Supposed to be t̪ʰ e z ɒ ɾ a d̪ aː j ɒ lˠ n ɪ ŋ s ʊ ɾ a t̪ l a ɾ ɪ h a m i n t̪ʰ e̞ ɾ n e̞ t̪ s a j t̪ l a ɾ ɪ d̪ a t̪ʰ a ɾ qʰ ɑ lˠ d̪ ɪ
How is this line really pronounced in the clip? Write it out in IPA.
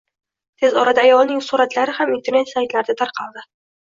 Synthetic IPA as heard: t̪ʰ e z ɒ ɾ a d̪ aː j ɒ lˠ n ɪ ŋ s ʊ ɾ a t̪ l a ɾ ɪ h a m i n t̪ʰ e̞ ɾ n e̞ t̪ s a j t̪ l a ɾ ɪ d̪ a t̪ʰ a ɾ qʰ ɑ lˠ d̪ ɪ